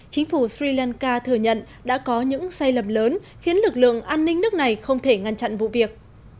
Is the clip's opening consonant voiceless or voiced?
voiceless